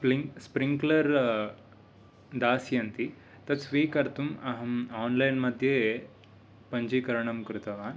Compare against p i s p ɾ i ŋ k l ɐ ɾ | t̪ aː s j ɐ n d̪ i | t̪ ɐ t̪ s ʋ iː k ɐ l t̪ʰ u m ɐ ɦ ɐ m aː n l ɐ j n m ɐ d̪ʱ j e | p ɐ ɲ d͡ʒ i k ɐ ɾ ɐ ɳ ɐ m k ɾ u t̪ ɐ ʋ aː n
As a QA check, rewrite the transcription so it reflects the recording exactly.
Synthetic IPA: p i s p ɾ i ŋ k l ɐ ɾ | d̪ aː s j ɐ n t̪ i | t̪ ɐ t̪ s ʋ iː k ɐ ɾ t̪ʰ u m ɐ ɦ ɐ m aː n l ɐ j n m ɐ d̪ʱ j e | p ɐ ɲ d͡ʒ i k ɐ ɾ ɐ ɳ ɐ m k ɾ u t̪ ɐ ʋ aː n